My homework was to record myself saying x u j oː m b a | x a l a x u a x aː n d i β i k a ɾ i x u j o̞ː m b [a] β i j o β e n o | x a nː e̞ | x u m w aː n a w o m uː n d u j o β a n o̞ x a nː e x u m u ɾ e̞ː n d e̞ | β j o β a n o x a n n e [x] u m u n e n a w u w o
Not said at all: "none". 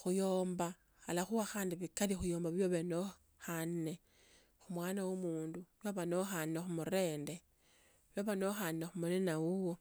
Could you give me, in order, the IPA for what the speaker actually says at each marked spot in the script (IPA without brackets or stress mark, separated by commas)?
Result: a, x